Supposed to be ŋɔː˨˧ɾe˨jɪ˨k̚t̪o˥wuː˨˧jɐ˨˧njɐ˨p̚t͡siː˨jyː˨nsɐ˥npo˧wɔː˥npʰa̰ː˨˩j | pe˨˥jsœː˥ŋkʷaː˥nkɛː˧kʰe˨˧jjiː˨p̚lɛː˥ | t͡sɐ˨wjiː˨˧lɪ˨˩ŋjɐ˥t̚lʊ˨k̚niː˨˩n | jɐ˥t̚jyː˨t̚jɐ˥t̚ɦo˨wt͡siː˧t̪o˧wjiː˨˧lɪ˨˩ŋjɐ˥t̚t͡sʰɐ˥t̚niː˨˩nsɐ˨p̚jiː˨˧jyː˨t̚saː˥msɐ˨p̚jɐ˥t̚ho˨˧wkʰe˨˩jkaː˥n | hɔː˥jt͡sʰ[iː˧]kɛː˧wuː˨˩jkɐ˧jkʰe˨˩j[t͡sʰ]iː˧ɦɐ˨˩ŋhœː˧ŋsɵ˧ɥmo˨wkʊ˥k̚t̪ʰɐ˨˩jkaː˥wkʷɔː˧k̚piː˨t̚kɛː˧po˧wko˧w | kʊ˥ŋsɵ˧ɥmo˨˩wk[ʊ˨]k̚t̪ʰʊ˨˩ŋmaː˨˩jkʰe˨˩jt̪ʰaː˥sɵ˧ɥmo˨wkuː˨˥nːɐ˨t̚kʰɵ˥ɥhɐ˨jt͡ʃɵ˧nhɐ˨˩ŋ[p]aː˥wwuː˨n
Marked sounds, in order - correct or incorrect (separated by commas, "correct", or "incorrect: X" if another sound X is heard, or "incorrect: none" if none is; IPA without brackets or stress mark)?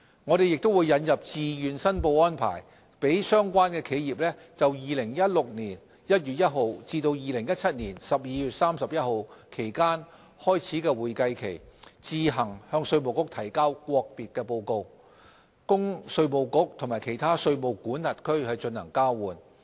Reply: incorrect: iː˨˥, incorrect: t͡s, incorrect: ʊ˥, incorrect: k